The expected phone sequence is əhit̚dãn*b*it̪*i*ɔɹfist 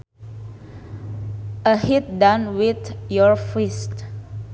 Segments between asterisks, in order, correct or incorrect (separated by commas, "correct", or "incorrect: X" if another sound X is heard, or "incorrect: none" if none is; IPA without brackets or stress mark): incorrect: w, incorrect: j